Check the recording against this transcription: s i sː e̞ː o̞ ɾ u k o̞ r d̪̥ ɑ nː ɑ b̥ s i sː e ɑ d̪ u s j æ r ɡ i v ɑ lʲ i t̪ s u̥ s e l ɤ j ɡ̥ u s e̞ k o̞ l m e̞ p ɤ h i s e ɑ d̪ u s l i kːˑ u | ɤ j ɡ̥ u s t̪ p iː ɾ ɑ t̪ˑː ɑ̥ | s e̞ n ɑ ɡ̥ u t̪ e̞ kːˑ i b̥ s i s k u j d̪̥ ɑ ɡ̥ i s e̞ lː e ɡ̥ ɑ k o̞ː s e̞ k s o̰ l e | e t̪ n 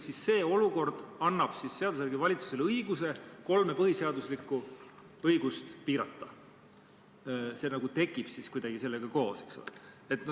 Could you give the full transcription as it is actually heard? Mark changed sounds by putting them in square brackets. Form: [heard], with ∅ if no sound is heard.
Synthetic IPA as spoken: s i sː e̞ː o̞ [l] u k o̞ r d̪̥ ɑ nː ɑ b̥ s i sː e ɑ d̪ u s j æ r ɡ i v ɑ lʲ i t̪ s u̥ s e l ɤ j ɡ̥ u s e̞ k o̞ l m e̞ p ɤ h i s e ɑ d̪ u s l i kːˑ u | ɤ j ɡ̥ u s t̪ p iː ɾ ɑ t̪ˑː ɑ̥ | s e̞ n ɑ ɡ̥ u t̪ e̞ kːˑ i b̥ s i s k u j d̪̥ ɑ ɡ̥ i s e̞ lː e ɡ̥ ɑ k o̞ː s e̞ k s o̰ l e | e t̪ n